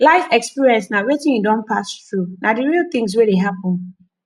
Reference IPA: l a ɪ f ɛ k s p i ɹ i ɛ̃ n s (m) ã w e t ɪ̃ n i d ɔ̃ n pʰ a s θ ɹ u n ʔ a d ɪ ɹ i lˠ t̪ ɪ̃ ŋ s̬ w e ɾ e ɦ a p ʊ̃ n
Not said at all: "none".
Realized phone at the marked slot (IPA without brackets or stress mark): n